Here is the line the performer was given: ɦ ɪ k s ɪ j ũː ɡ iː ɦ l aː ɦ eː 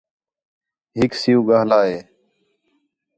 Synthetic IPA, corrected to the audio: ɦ ɪ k s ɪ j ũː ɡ aː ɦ l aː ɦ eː